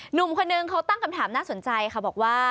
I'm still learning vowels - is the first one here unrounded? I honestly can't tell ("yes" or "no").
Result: no